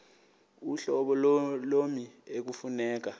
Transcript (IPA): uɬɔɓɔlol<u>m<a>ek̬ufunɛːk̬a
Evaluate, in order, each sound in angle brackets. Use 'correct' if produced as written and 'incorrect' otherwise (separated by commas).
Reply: incorrect, incorrect